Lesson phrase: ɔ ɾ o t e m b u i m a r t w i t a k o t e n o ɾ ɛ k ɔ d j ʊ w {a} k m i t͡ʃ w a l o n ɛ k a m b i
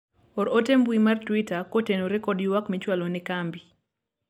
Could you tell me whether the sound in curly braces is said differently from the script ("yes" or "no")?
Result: no